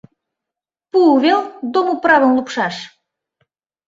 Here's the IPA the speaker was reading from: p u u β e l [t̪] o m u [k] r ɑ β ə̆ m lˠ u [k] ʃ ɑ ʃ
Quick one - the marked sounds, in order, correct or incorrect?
incorrect, incorrect, incorrect

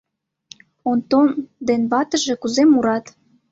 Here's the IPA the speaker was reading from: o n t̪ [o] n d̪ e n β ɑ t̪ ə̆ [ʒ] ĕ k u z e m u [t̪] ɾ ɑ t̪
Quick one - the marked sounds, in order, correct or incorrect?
correct, correct, incorrect

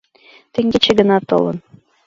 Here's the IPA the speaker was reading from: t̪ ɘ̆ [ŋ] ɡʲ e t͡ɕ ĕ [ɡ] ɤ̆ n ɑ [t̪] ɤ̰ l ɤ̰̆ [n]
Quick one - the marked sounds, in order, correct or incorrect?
correct, correct, correct, correct

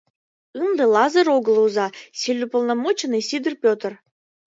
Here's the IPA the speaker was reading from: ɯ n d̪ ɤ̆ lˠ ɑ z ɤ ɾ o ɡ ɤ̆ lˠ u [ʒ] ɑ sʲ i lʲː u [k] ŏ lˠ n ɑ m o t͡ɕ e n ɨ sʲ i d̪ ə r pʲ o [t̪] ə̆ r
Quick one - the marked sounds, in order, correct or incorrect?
incorrect, incorrect, correct

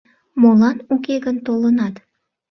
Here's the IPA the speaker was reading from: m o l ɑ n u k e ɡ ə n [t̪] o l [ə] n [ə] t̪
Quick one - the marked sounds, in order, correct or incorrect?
correct, correct, incorrect

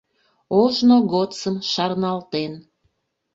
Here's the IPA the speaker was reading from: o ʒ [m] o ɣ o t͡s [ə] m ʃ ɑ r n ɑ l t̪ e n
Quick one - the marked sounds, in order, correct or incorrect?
incorrect, correct

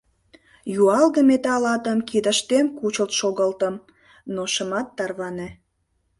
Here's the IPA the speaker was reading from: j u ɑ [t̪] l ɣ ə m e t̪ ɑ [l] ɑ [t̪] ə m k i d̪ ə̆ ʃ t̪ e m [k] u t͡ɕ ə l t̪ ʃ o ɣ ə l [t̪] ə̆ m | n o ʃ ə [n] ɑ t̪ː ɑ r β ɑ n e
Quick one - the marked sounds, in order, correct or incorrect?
incorrect, correct, correct, correct, correct, incorrect

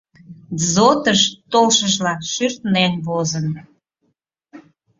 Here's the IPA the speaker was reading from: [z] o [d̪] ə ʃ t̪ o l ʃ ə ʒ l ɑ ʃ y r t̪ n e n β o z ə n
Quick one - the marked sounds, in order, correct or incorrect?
correct, incorrect

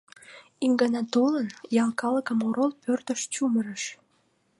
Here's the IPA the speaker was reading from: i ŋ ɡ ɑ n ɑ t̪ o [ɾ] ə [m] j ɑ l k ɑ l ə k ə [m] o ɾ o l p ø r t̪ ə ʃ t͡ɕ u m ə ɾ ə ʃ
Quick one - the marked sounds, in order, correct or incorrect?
incorrect, incorrect, correct

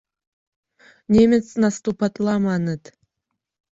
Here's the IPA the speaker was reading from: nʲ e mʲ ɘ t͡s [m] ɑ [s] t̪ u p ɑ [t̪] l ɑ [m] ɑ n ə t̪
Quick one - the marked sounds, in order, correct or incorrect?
incorrect, correct, correct, correct

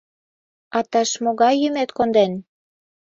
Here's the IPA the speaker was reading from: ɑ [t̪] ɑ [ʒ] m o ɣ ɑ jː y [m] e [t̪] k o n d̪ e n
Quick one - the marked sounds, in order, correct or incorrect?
correct, incorrect, correct, correct

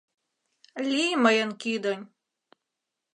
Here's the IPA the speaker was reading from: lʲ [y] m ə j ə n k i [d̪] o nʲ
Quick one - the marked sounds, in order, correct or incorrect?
incorrect, correct

